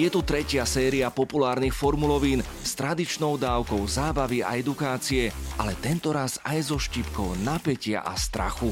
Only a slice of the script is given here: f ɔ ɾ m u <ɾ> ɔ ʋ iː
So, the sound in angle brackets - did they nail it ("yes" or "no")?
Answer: no